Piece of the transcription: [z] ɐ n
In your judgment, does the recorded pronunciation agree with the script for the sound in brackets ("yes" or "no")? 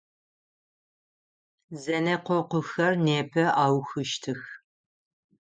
yes